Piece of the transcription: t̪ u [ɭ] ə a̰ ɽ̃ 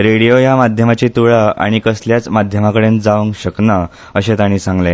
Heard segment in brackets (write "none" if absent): ɭ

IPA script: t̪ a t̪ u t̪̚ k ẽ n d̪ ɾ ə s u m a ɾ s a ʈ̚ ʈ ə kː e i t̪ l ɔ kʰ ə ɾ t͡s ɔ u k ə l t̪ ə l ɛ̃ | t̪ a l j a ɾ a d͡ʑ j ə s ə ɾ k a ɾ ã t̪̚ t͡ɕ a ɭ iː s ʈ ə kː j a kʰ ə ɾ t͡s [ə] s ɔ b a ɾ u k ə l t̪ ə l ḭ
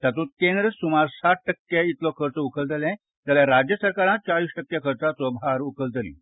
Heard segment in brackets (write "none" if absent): a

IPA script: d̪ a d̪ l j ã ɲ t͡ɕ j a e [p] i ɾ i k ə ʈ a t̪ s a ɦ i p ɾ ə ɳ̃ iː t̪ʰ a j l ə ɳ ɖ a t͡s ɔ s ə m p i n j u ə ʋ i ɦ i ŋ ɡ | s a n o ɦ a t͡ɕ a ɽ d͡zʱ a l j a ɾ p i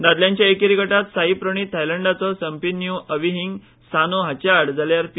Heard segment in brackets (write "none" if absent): k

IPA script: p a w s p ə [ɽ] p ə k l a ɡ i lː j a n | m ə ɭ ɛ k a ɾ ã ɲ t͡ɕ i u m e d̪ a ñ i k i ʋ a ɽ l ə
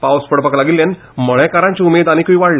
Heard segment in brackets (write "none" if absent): ɽ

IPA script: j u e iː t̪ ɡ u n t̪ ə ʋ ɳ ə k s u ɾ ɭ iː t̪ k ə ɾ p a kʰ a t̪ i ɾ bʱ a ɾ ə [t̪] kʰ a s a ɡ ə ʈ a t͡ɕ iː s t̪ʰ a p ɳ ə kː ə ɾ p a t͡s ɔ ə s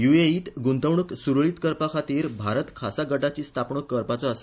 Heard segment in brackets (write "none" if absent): t̪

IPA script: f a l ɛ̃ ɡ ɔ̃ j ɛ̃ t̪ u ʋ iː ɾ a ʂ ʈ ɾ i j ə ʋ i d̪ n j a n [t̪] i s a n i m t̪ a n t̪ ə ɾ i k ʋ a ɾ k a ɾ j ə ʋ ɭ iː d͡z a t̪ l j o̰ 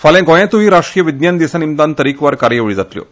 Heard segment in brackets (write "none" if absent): d̪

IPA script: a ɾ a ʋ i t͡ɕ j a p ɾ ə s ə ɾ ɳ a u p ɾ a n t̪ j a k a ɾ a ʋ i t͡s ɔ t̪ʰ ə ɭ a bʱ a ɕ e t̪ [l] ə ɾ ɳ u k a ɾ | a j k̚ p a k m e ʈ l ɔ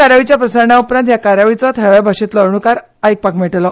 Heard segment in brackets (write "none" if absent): l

